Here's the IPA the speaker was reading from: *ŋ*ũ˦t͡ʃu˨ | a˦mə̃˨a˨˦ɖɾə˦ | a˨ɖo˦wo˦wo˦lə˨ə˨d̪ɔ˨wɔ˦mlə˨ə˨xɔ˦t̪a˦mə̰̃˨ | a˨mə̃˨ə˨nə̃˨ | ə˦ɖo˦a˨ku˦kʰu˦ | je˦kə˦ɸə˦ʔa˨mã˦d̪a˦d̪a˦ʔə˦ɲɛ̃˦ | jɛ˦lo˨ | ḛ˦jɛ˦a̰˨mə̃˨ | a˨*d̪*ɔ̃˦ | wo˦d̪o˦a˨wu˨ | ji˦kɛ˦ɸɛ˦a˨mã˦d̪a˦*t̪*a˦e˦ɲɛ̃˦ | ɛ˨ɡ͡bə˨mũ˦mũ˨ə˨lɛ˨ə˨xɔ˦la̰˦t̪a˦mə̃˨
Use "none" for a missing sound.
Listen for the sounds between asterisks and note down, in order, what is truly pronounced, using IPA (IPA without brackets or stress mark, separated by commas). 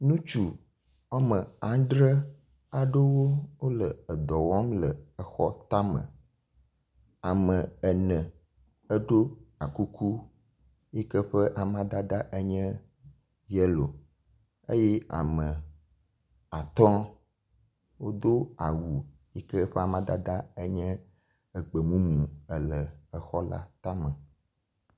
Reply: n, t̪, d̪